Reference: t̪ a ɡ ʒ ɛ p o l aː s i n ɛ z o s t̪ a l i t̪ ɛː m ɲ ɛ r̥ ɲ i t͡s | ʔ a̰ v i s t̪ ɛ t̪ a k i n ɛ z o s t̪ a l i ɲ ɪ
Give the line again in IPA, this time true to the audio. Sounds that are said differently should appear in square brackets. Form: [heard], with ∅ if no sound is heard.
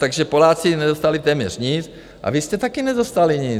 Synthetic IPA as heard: t̪ a ɡ ʒ ɛ p o l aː [t͡s] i n ɛ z o s t̪ a l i t̪ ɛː m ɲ ɛ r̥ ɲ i t͡s | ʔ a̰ v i s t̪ ɛ t̪ a k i n ɛ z o s t̪ a l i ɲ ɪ